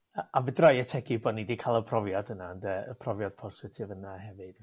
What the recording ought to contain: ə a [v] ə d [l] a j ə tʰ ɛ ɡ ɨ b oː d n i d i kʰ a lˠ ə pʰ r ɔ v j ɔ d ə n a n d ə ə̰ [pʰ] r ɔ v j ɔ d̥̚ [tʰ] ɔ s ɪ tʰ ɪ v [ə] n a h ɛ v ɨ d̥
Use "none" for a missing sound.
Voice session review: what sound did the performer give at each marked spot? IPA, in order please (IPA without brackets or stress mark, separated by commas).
v, r, pʰ, pʰ, ə